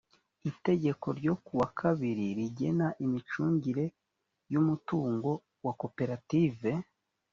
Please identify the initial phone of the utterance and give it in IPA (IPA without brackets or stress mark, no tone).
i